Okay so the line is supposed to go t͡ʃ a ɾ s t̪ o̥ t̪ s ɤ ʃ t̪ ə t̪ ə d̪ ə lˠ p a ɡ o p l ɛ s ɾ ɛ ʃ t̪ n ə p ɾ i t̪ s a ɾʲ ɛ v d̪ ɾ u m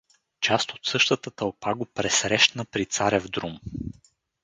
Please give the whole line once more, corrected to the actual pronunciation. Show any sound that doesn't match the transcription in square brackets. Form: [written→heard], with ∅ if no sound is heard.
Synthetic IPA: t͡ʃ a [ɾ→∅] s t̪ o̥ t̪ s ɤ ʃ t̪ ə t̪ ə [d̪→t̪] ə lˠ p a ɡ o p [l→ɾ] ɛ s ɾ ɛ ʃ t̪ n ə p ɾ i t̪ s a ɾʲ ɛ v d̪ ɾ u m